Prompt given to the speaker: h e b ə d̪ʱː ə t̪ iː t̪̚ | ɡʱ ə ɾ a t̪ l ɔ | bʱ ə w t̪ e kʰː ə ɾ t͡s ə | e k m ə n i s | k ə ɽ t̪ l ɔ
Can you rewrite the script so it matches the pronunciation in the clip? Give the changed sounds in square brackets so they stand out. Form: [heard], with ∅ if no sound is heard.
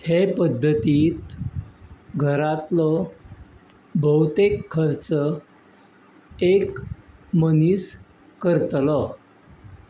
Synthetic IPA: h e [p] ə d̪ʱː ə t̪ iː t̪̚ | ɡʱ ə ɾ a t̪ l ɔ | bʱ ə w t̪ e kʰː ə ɾ t͡s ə | e k m ə n i s | k ə [ɾ] t̪ l ɔ